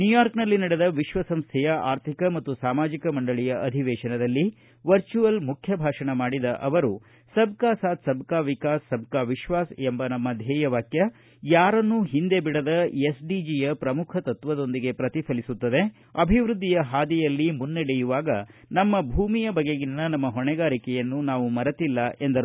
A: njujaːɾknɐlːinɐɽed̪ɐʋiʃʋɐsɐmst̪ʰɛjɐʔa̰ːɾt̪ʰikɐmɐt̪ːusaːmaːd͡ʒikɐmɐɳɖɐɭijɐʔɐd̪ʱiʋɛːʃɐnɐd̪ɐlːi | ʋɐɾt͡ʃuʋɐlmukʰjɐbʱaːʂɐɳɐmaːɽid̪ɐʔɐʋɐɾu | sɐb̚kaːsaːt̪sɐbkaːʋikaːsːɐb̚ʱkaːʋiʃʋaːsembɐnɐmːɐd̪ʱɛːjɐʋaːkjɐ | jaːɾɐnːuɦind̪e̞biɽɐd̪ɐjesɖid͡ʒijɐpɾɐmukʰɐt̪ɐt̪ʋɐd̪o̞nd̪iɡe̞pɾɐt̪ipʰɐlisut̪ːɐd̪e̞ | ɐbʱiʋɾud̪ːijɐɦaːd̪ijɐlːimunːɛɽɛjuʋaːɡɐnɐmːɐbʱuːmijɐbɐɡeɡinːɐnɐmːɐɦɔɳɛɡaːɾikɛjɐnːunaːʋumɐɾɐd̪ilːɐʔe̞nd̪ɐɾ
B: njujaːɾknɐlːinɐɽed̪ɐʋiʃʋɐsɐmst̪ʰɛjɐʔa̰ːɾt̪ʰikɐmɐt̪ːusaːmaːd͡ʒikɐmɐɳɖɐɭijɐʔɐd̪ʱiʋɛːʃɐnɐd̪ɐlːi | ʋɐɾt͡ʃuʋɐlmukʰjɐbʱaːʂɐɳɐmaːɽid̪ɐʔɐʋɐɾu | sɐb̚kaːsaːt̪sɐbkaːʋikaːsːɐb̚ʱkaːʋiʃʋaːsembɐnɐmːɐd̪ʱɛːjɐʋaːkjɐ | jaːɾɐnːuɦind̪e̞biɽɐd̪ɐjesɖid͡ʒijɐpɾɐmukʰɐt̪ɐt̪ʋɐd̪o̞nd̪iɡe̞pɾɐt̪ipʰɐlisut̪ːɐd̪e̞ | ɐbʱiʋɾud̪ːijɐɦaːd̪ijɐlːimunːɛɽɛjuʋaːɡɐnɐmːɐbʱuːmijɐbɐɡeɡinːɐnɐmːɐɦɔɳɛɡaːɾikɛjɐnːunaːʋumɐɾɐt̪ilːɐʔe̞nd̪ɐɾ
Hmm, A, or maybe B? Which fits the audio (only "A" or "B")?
B